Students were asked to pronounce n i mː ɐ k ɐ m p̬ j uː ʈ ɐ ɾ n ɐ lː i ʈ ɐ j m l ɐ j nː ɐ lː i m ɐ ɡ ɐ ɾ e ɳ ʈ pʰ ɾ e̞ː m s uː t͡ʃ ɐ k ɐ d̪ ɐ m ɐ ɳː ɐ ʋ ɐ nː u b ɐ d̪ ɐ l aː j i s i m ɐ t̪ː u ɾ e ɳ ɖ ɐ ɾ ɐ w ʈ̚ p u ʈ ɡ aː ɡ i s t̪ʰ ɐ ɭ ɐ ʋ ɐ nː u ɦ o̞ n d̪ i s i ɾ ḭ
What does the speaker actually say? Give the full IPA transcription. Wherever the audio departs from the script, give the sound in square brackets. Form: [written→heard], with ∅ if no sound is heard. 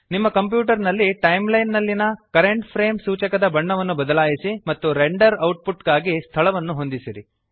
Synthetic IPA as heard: n i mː ɐ k ɐ m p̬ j uː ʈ ɐ ɾ n ɐ lː i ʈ ɐ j m l ɐ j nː ɐ lː i [m→n] ɐ [ɡ→k] ɐ ɾ e ɳ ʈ pʰ ɾ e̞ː m s uː t͡ʃ ɐ k ɐ d̪ ɐ [m→b] ɐ ɳː ɐ ʋ ɐ nː u b ɐ d̪ ɐ l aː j i s i m ɐ t̪ː u ɾ e ɳ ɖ ɐ ɾ ɐ w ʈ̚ p u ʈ ɡ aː ɡ i s t̪ʰ ɐ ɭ ɐ ʋ ɐ nː u ɦ o̞ n d̪ i s i ɾ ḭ